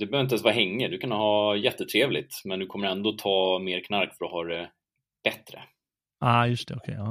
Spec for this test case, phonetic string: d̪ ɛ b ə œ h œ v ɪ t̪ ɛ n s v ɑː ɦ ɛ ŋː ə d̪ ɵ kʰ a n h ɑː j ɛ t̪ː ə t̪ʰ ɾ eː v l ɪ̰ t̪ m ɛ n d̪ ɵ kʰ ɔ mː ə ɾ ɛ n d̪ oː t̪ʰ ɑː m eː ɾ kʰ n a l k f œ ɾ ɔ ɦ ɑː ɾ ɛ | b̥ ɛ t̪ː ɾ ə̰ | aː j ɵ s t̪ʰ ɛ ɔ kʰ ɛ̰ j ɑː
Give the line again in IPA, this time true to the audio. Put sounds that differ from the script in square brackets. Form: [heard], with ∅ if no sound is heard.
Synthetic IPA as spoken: d̪ ɛ b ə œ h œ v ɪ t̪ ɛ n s v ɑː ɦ ɛ ŋː ə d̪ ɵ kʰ a n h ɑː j ɛ t̪ː ə t̪ʰ ɾ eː v l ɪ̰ t̪ m ɛ n d̪ ɵ kʰ ɔ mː ə ɾ ɛ n d̪ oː t̪ʰ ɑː m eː ɾ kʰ n a [ɾ] k f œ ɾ ɔ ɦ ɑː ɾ ɛ | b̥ ɛ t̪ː ɾ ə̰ | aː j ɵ s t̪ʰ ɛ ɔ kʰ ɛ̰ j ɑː